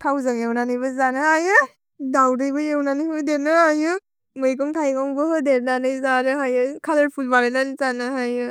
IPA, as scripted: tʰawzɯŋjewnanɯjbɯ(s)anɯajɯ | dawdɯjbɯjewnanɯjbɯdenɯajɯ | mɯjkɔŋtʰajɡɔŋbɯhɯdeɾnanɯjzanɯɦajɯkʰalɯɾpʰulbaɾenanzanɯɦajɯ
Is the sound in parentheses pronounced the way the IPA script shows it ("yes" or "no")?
no